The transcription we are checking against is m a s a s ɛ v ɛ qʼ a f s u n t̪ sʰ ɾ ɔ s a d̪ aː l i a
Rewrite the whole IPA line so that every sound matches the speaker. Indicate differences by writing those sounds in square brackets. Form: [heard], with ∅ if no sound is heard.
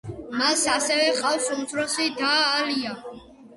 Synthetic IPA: m a s a s ɛ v ɛ qʼ a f s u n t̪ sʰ ɾ ɔ s [i] d̪ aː l i a